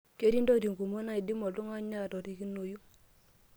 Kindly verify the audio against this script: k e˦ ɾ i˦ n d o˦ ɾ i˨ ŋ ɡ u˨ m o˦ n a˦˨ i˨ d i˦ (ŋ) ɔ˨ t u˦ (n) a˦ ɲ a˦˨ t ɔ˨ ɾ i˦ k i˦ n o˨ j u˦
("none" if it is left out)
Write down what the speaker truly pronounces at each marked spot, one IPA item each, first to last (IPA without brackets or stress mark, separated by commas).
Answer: m, ŋ